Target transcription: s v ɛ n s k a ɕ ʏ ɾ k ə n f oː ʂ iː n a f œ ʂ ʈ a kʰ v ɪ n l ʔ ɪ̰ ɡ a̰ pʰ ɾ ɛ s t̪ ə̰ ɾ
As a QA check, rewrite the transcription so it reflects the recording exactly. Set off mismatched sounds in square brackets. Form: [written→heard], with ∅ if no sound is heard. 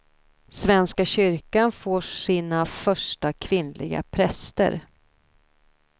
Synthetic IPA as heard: s v ɛ n s k a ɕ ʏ ɾ k [ə→a] n f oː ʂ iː n a f œ ʂ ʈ a kʰ v ɪ n l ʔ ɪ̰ ɡ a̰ pʰ ɾ ɛ s t̪ ə̰ ɾ